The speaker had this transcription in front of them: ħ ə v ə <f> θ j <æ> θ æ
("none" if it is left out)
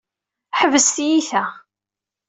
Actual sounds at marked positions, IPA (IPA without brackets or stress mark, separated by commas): s, i